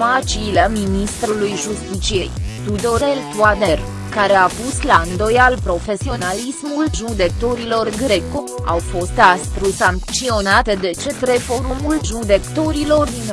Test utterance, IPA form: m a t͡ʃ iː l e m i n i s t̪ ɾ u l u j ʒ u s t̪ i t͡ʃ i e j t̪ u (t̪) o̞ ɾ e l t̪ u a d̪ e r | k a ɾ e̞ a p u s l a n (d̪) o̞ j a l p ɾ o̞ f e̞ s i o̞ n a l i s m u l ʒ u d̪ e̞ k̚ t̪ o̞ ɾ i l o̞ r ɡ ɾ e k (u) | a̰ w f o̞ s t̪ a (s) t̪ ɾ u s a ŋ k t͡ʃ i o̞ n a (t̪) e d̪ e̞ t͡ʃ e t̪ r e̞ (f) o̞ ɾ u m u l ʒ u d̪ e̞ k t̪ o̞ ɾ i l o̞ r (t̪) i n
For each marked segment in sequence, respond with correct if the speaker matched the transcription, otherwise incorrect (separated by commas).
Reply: incorrect, correct, incorrect, correct, correct, correct, incorrect